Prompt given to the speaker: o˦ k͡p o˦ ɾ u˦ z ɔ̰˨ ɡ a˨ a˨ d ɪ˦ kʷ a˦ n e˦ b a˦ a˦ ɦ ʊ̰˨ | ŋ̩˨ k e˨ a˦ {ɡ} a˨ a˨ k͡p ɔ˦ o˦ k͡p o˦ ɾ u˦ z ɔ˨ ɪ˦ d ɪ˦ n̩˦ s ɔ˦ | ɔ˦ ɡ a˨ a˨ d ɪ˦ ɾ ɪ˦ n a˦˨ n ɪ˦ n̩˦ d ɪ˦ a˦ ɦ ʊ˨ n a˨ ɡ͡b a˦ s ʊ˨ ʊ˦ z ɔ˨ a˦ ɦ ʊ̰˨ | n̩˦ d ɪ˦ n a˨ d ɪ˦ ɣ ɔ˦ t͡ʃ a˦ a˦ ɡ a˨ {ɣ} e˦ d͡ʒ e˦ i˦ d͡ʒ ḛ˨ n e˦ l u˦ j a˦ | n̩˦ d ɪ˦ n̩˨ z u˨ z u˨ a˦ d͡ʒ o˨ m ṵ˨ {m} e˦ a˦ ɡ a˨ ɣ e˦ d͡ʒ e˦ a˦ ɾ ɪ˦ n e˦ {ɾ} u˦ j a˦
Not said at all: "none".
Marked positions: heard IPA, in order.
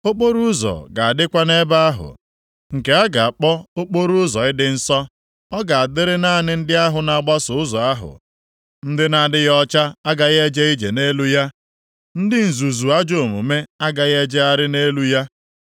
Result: ɡ, ɣ, m, l

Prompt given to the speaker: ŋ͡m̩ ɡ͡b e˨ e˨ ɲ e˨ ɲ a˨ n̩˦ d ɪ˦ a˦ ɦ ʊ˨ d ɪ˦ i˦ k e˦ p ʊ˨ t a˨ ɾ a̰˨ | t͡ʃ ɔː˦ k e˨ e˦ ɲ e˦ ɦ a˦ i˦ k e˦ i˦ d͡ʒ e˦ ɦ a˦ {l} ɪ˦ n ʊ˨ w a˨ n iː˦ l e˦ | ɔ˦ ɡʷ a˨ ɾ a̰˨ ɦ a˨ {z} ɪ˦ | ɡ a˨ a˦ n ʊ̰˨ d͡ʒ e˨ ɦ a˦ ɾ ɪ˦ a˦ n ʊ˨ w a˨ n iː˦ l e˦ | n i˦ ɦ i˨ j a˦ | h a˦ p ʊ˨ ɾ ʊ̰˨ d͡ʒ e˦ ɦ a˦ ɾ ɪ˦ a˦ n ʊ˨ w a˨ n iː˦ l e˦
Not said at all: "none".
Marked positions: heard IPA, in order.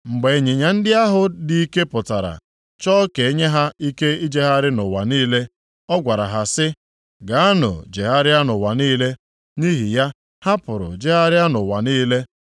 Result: ɾ, s

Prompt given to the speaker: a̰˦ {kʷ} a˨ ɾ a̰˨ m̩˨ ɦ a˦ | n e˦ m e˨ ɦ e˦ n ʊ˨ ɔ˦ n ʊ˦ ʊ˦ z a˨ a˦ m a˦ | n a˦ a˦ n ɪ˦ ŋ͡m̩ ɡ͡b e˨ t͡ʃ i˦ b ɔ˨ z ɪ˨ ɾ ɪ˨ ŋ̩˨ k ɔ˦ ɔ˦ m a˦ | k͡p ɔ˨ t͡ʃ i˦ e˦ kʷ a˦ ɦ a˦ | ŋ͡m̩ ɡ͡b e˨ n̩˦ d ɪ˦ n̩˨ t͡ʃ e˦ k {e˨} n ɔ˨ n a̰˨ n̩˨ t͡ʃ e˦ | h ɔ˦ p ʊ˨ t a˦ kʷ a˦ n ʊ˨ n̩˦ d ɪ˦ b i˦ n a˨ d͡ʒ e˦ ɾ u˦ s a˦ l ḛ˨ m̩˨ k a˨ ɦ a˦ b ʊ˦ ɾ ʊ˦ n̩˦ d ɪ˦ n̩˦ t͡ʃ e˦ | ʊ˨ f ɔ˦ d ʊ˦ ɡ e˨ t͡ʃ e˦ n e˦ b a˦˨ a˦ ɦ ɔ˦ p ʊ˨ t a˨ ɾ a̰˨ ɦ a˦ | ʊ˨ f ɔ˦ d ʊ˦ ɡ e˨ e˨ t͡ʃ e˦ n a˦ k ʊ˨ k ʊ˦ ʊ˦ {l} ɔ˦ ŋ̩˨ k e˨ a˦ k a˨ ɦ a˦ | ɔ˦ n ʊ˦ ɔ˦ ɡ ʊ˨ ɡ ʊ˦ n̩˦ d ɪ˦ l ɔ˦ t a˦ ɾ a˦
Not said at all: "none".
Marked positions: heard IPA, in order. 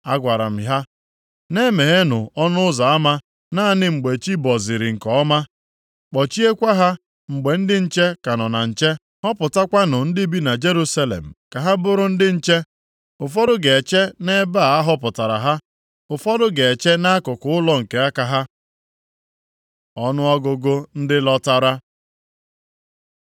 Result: ɡʷ, a˨, l

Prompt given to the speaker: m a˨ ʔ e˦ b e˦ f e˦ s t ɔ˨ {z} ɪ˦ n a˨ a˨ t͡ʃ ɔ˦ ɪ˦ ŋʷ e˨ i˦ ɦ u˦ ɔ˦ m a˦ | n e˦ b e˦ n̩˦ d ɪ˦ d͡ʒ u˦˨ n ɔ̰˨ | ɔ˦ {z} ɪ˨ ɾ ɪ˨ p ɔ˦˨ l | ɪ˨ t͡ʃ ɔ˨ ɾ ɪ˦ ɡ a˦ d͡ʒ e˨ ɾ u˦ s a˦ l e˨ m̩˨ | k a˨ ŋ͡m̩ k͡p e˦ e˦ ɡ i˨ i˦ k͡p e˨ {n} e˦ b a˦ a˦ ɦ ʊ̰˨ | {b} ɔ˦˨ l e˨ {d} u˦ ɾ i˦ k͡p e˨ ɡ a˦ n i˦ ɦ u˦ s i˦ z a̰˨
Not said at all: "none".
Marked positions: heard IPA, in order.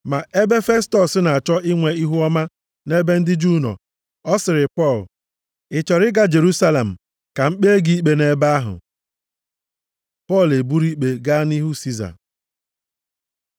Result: s, s, n, p, b

